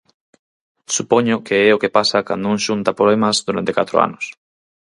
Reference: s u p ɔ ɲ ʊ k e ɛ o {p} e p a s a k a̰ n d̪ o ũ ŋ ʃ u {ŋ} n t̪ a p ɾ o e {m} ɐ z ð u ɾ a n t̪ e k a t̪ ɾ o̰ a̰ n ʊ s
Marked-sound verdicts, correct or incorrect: incorrect: k, incorrect: none, correct

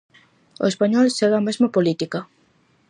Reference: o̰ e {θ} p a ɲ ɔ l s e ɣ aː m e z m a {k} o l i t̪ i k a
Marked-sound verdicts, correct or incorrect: incorrect: s, incorrect: p

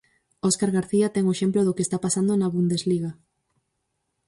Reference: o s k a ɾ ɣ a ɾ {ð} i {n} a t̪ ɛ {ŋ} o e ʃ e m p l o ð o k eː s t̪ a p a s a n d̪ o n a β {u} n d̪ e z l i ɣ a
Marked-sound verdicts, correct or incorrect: incorrect: θ, incorrect: none, correct, correct

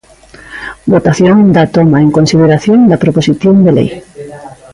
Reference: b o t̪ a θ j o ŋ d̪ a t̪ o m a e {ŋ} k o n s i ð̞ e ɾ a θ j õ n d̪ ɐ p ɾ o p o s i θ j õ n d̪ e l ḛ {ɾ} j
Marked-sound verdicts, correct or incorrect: correct, incorrect: none

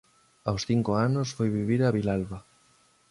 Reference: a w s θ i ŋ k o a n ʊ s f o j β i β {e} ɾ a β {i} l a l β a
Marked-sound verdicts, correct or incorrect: incorrect: i, correct

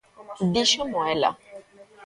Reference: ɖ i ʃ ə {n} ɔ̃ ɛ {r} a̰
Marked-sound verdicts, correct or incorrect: incorrect: m, incorrect: l

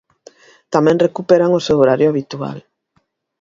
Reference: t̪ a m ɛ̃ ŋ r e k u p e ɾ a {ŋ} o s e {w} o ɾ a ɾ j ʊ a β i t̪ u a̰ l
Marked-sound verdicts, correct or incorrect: correct, correct

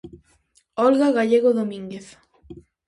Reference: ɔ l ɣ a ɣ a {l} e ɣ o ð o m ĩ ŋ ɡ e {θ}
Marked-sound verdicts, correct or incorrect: incorrect: ʎ, correct

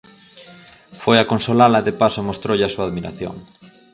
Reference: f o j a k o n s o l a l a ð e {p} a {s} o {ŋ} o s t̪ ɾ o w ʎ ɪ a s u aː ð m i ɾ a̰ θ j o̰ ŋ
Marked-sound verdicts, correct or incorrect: correct, correct, incorrect: m

